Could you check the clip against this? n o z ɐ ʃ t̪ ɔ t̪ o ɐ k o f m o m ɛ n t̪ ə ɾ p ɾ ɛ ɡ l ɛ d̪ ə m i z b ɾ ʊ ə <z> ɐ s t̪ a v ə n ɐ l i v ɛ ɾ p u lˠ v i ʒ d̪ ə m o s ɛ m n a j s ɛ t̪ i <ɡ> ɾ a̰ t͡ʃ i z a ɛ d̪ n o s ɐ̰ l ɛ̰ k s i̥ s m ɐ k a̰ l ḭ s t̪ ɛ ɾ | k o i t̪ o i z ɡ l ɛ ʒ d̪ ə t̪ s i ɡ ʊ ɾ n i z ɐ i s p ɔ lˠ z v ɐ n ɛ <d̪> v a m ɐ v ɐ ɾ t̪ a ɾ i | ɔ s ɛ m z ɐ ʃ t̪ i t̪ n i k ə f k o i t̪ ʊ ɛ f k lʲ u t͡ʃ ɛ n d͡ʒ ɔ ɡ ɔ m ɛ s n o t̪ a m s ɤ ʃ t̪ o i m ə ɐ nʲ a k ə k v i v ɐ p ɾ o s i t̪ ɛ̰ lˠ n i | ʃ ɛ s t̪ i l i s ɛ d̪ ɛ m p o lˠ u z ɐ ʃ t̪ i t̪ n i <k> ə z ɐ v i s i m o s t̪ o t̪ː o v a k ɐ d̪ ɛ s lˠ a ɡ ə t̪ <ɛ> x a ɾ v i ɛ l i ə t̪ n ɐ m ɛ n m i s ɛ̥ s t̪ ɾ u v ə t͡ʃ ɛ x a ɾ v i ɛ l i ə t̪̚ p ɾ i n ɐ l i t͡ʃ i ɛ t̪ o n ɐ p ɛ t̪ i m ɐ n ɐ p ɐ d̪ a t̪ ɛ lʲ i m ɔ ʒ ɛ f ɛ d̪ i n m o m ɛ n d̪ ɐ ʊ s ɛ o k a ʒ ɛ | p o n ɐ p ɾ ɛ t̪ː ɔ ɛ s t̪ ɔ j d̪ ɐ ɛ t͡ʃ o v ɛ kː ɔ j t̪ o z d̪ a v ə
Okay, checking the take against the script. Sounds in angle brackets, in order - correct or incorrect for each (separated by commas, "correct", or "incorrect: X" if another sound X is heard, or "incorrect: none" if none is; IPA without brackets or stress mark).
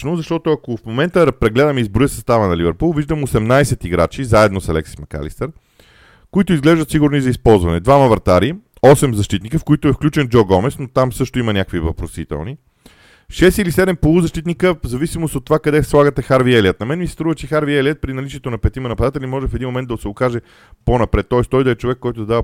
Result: incorrect: s, correct, correct, correct, correct